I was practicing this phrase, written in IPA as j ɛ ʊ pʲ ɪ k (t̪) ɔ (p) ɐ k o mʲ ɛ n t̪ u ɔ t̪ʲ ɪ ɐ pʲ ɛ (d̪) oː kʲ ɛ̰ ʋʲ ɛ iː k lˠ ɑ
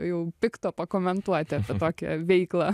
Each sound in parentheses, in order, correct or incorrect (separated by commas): correct, correct, incorrect